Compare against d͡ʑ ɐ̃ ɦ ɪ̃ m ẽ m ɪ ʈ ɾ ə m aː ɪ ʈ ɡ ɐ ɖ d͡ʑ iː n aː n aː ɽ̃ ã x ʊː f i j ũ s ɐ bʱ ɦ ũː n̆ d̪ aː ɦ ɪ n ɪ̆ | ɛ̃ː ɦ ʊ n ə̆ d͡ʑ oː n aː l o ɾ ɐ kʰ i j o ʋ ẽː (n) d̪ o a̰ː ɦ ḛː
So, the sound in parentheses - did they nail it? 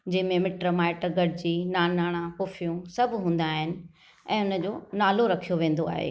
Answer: yes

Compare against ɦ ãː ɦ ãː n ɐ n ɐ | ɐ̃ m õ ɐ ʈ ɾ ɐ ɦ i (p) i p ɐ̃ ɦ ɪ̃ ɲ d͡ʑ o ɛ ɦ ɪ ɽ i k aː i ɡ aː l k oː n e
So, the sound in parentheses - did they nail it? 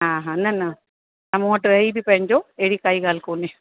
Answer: no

